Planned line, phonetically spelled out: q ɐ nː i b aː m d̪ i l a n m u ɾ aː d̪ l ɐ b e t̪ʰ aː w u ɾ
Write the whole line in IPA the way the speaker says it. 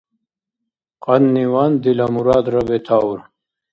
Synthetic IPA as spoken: q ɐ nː i w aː n d̪ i l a m u ɾ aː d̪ ɾ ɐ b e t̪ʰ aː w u ɾ